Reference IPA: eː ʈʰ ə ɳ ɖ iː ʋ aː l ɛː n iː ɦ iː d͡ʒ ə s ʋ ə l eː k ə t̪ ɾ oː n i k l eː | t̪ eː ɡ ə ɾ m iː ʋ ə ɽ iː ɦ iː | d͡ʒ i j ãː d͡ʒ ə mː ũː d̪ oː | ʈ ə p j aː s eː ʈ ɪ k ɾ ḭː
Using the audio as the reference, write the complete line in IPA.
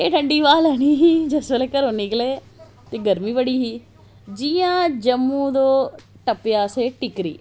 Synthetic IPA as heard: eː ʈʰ ə ɳ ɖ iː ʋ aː l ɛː n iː ɦ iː d͡ʒ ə s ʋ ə l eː k ə ɾ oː n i k l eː | t̪ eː ɡ ə ɾ m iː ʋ ə ɽ iː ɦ iː | d͡ʒ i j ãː d͡ʒ ə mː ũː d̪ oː | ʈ ə p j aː s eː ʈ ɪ k ɾ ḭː